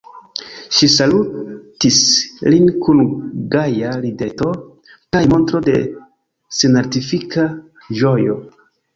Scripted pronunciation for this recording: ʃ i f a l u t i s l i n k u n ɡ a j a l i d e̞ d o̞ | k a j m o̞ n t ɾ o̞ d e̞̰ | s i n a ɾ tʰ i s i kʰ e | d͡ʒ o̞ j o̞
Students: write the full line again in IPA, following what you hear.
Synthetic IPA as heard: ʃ i s a l u t i s l i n k u n ɡ a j a l i d e̞ t o̞ | k a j m o̞ n t ɾ o̞ d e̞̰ | s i n a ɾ t i f i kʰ a | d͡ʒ o̞ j o̞